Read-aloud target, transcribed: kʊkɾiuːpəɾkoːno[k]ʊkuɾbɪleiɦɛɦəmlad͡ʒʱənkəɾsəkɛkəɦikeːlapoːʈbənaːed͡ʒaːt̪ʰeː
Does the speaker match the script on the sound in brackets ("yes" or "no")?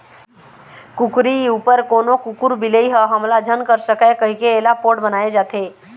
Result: yes